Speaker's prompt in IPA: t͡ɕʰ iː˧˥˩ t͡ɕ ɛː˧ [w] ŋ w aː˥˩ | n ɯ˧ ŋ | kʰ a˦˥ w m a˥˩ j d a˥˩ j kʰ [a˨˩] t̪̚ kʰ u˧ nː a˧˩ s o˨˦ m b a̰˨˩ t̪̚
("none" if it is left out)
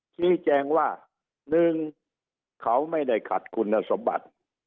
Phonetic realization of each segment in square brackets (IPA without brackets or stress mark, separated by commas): none, a˨˩